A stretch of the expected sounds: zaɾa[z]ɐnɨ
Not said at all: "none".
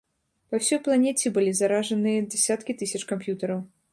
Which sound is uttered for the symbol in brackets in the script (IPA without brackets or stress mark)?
ʐ